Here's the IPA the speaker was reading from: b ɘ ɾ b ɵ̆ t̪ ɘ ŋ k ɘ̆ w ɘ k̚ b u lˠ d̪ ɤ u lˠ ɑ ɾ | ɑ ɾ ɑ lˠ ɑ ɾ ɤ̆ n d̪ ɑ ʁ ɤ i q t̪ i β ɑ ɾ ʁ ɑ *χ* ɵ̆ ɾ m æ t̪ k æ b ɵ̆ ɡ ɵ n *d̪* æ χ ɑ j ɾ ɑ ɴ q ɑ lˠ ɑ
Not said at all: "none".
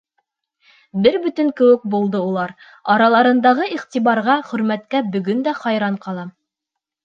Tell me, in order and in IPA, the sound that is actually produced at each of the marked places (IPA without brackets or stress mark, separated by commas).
χ, d̪